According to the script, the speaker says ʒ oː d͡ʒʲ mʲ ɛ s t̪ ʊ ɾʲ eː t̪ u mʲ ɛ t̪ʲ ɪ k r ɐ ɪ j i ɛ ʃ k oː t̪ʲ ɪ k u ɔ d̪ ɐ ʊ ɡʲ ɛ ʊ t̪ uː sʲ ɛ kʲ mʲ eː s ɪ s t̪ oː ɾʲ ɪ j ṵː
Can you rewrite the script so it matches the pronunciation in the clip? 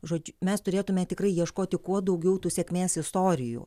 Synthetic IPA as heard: ʒ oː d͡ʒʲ mʲ ɛ s t̪ ʊ ɾʲ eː t̪ ʊ mʲ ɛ t̪ʲ ɪ k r ɐ ɪ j i ɛ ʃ k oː t̪ʲ ɪ k u ɔ d̪ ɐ ʊ ɡʲ ɛ ʊ t̪ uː sʲ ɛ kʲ mʲ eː s ɪ s t̪ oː ɾʲ ɪ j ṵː